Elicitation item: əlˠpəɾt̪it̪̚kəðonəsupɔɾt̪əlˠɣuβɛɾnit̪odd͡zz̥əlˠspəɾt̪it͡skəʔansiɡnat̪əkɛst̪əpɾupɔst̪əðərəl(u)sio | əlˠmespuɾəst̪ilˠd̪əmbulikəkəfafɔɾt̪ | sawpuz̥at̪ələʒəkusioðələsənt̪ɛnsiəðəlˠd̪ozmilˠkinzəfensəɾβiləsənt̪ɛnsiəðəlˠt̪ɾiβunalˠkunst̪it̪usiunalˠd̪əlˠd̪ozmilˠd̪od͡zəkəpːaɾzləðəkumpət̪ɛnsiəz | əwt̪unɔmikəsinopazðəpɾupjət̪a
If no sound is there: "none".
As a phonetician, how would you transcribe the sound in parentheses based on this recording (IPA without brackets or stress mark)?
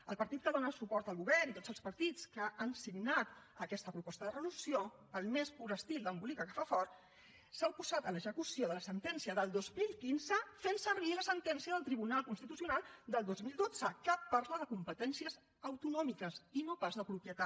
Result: u